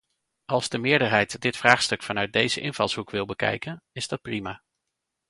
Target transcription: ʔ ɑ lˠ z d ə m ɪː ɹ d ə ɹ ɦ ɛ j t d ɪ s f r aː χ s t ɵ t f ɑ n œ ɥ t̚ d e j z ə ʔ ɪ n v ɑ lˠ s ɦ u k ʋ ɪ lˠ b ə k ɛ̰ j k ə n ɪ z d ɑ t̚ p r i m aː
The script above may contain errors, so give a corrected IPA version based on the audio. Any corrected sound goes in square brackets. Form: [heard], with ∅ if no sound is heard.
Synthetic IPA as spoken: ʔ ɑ lˠ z d ə m ɪː ɹ d ə ɹ ɦ ɛ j t d ɪ [t] f r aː χ s t ɵ [k] f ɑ n œ ɥ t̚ d e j z ə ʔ ɪ n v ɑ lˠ s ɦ u k ʋ ɪ lˠ b ə k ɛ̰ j k ə n ɪ z d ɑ t̚ p r i m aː

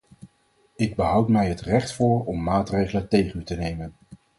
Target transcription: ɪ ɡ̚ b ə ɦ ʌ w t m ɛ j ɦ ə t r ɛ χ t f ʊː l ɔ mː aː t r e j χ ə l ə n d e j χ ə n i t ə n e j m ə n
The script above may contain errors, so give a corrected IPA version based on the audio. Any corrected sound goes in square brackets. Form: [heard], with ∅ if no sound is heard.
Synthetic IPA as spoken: ɪ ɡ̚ b ə ɦ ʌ w t m ɛ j ɦ ə t r ɛ χ t f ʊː [ɹ] ɔ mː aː t r e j χ ə l ə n [t] e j χ ə n [y] t ə n e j m ə n

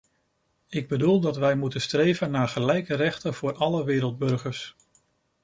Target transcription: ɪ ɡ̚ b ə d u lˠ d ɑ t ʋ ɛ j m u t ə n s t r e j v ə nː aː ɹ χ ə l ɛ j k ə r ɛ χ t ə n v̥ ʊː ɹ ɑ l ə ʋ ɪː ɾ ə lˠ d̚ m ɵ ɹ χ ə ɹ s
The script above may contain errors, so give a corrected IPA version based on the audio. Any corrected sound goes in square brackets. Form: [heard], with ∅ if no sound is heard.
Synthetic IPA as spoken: ɪ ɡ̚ b ə d u lˠ d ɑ t ʋ ɛ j m u t ə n s t r e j v ə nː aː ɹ χ ə l ɛ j k ə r ɛ χ t ə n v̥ ʊː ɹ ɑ l ə ʋ ɪː ɾ ə lˠ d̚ [b] ɵ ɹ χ ə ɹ s

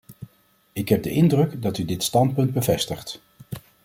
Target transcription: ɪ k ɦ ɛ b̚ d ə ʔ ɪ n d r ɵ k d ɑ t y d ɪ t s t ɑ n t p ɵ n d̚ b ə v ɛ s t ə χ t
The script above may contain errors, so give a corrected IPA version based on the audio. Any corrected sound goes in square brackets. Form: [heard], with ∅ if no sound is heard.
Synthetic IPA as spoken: ɪ k ɦ ɛ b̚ d ə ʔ ɪ n d r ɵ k d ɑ t y d ɪ t s t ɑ n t p ɵ n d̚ b ə v ɛ s t ə χ t

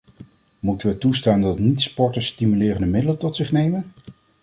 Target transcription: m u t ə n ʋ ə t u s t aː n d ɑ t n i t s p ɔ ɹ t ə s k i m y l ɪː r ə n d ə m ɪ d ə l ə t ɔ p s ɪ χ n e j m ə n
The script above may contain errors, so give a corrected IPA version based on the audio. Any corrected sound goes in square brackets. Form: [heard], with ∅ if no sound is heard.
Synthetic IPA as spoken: m u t ə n ʋ ə t u s t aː n d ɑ t n i t s p ɔ ɹ t ə s [t] i m y l ɪː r ə n d ə m ɪ d ə l ə t ɔ [t] s ɪ χ n e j m ə n

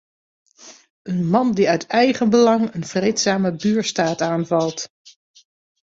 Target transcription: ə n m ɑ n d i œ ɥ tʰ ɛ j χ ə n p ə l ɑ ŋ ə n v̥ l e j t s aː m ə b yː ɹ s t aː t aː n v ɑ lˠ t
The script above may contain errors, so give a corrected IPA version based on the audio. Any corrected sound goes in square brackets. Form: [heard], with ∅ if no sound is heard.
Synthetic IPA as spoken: ə n m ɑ n d i œ ɥ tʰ ɛ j χ ə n [b] ə l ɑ ŋ ə n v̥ [r] e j t s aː m ə b yː ɹ s t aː t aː n v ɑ lˠ t

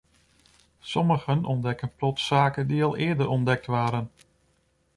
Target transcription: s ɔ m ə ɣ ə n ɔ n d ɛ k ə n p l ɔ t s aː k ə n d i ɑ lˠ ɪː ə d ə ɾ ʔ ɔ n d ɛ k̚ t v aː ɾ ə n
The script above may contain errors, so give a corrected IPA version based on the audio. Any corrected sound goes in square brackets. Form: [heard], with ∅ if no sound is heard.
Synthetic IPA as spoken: s ɔ m ə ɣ ə n ɔ n d ɛ k ə n p l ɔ t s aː k ə n d i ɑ lˠ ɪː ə d ə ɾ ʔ ɔ n d ɛ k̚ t [ʋ] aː ɾ ə n

